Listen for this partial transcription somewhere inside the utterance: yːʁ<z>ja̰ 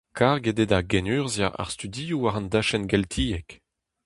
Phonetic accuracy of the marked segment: correct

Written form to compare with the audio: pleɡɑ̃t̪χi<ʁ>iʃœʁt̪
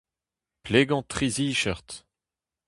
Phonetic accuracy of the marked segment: incorrect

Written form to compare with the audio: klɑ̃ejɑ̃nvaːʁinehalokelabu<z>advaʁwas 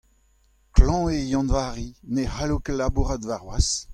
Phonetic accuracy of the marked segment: incorrect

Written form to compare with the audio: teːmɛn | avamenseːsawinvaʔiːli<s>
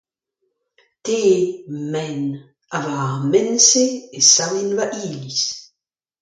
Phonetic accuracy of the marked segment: correct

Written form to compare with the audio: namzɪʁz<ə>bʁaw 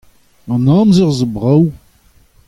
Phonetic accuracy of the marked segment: correct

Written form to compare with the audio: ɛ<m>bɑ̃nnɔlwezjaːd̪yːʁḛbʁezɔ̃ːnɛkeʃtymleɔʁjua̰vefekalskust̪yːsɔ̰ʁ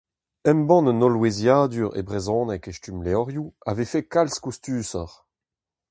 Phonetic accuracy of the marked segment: correct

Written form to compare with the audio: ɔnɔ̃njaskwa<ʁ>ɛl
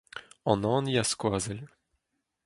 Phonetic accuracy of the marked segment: incorrect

